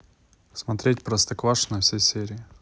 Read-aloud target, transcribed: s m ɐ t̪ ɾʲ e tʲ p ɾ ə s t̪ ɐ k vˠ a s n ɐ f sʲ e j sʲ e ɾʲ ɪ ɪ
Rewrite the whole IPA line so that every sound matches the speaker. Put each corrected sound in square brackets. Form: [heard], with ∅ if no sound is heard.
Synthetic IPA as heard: s m ɐ t̪ ɾʲ e tʲ p ɾ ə s t̪ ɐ k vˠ a [ʂ] n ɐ f sʲ e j sʲ e ɾʲ ɪ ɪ